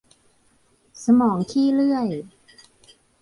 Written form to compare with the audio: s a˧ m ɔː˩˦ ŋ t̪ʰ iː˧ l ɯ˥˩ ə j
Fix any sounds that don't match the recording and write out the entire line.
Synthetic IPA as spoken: s a˧ m ɔː˩˦ ŋ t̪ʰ iː˥˩ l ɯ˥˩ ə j